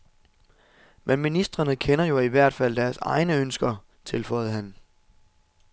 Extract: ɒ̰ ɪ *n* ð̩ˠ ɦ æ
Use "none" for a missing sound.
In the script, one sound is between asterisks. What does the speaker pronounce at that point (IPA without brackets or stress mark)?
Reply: none